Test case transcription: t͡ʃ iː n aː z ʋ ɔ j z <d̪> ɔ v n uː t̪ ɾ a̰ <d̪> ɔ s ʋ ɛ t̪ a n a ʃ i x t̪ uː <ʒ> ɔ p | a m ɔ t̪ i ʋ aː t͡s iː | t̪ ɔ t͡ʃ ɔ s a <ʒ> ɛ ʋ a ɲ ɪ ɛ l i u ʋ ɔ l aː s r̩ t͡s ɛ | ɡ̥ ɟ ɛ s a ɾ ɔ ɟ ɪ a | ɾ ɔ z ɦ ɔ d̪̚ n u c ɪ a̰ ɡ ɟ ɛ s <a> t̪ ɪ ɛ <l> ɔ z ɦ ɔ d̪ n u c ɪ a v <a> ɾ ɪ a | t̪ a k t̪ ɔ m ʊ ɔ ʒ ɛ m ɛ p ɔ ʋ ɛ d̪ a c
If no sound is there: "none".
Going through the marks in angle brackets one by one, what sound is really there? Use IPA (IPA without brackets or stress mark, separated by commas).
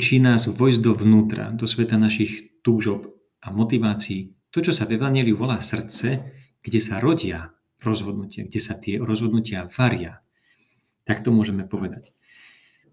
d̪, d̪, ʒ, v, a, ɾ, a